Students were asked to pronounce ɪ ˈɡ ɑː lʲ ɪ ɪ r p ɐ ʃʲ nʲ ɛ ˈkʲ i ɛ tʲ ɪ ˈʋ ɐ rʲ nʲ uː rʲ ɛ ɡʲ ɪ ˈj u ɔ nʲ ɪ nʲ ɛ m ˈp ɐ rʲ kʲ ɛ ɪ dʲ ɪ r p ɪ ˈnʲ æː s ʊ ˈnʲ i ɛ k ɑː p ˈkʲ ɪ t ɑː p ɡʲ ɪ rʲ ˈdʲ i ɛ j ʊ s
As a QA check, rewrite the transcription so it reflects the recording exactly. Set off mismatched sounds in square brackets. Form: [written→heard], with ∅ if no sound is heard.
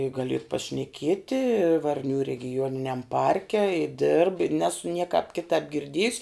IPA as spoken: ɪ ˈɡ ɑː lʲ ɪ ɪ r p ɐ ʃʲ nʲ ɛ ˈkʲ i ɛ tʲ ɪ ˈʋ ɐ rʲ nʲ uː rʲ ɛ ɡʲ ɪ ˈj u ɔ nʲ ɪ nʲ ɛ m ˈp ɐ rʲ kʲ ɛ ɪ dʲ ɪ r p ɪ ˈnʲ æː s ʊ ˈnʲ i ɛ k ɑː p ˈkʲ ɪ t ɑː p ɡʲ ɪ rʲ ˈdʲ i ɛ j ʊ s